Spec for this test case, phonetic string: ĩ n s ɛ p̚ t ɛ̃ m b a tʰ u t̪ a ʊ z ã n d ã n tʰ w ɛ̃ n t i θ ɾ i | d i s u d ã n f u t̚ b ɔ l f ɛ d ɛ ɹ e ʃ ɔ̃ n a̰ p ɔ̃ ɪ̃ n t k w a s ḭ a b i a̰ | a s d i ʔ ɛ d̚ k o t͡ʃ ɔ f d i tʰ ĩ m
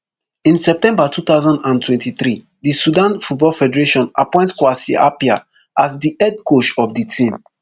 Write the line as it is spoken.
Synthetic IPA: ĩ n s ɛ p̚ t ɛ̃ m b a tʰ u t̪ a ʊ z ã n d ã n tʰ w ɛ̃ n t i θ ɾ i | d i s u d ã n f u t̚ b ɔ l f ɛ d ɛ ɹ e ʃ ɔ̃ n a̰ p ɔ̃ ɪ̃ n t k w a s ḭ a p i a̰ | a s d i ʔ ɛ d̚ k o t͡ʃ ɔ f d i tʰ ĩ m